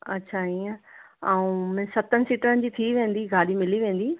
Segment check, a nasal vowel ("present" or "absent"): present